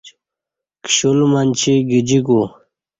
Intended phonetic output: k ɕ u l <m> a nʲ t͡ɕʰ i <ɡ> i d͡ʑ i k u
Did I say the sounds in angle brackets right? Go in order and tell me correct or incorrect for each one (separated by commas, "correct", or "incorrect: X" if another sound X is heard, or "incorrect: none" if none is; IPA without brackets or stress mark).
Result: correct, correct